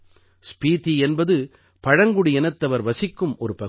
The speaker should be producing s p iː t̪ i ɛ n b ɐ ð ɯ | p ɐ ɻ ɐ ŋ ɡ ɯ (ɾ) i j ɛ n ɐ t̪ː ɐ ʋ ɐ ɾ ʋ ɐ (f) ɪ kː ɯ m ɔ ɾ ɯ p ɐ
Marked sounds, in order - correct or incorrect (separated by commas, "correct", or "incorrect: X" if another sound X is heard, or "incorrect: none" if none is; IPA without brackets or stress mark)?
incorrect: ɽ, incorrect: s